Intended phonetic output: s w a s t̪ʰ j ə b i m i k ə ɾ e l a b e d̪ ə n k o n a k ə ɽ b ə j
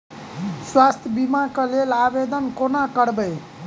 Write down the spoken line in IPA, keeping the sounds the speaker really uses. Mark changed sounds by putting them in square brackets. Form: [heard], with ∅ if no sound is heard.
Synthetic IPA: s w a s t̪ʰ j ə b i m [a] k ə [l] e l a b e d̪ ə n k o n a k ə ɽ b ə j